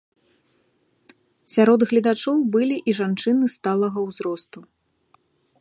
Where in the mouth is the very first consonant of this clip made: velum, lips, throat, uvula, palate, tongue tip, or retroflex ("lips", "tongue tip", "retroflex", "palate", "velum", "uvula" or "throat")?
tongue tip